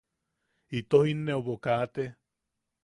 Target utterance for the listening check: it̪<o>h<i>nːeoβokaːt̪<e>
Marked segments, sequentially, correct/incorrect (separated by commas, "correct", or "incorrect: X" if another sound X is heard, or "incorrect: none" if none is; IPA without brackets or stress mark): correct, correct, correct